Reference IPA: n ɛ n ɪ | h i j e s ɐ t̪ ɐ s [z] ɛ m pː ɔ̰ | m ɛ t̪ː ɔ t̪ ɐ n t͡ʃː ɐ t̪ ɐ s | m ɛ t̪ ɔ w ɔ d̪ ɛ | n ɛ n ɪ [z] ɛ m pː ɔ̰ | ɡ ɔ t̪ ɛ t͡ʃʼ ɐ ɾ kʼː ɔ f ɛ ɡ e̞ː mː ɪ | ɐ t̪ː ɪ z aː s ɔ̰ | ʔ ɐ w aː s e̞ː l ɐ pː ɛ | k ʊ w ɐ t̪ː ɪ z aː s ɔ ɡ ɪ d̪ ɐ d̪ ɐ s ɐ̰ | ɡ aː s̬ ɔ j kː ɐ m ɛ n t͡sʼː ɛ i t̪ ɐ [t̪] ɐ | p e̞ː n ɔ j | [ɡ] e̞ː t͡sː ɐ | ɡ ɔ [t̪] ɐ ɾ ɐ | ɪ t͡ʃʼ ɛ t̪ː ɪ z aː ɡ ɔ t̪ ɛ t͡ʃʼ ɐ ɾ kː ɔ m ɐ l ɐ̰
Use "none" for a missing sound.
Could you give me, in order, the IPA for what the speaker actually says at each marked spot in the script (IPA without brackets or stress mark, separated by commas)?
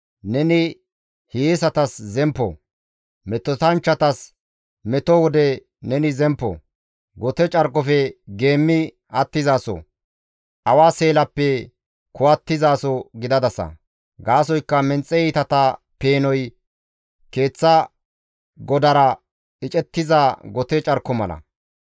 z, z, t̪, k, d̪